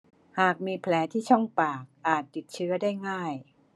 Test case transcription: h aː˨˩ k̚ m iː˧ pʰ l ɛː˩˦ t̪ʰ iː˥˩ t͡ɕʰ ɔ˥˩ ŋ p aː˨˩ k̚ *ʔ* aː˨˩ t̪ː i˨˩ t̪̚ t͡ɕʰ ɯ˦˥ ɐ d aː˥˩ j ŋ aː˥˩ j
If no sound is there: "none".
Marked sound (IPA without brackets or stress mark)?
ʔ